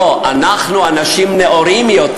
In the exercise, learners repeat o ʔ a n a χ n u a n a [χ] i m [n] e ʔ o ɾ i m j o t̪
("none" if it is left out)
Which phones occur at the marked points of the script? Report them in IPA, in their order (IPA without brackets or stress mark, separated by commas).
ʃ, n